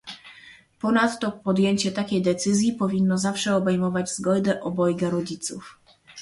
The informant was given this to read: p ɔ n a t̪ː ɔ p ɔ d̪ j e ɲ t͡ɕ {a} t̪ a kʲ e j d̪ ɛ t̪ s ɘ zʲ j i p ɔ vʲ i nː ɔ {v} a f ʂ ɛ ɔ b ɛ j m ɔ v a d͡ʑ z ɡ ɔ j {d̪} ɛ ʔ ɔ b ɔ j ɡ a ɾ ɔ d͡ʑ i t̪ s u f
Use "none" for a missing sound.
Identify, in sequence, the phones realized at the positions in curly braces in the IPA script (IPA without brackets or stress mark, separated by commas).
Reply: ɛ, z, d̪